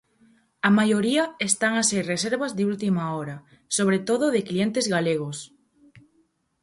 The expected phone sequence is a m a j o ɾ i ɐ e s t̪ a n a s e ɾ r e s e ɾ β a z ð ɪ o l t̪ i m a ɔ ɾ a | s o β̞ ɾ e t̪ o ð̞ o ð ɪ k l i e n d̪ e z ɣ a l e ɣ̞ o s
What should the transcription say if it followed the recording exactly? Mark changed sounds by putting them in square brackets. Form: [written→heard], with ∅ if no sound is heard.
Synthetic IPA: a m a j o ɾ i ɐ e s t̪ a [n→ŋ] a s e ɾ r e s e ɾ β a z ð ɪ [o→u] l t̪ i m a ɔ ɾ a | s o β̞ ɾ e t̪ o ð̞ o ð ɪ k l i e n [d̪→t̪] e z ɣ a l e ɣ̞ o s